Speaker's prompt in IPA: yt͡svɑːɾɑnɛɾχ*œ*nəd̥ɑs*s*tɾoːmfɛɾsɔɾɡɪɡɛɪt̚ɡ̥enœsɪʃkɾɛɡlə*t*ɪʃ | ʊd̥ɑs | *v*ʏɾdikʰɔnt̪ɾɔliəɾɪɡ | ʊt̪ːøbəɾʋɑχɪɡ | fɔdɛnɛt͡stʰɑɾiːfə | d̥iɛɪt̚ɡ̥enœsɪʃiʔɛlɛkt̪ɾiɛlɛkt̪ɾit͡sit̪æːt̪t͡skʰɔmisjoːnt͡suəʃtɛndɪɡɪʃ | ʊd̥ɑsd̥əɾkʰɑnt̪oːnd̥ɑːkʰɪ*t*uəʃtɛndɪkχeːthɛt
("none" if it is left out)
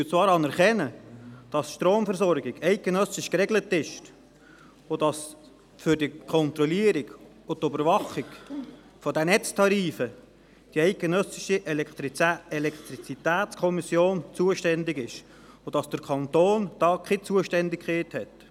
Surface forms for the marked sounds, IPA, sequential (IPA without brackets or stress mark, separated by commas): ɛ, ʃ, t, f, t͡s